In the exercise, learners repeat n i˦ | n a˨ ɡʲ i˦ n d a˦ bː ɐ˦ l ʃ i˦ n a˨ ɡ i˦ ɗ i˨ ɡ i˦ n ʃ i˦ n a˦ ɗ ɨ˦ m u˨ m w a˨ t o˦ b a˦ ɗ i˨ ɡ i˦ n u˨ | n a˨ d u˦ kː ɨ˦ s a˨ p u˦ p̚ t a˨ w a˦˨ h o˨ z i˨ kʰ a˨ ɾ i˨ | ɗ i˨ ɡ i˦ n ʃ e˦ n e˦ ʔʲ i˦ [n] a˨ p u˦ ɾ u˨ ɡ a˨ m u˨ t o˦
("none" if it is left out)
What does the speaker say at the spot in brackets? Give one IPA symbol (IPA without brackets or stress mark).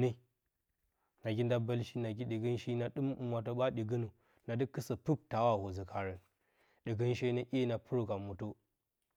n